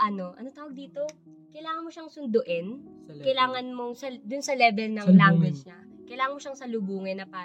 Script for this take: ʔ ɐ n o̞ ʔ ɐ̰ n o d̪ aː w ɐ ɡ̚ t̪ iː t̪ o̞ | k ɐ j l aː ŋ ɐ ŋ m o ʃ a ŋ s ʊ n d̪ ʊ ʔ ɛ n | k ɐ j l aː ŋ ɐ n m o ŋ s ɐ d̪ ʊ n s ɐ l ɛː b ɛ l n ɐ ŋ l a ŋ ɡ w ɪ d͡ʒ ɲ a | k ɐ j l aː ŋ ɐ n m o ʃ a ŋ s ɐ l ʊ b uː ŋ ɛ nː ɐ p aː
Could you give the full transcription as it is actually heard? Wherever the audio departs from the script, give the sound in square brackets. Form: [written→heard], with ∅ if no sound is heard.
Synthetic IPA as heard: ʔ ɐ n o̞ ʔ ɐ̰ n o [d̪→t̪] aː w ɐ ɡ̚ [t̪→d̪] iː t̪ o̞ | k ɐ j l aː ŋ ɐ [ŋ→n] m o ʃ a ŋ s ʊ n d̪ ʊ ʔ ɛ n | k ɐ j l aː ŋ ɐ n m o ŋ s ɐ d̪ ʊ n s ɐ l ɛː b ɛ l n ɐ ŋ l a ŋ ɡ w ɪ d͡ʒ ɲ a | k ɐ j l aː ŋ ɐ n m o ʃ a ŋ s ɐ l ʊ b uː ŋ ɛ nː ɐ p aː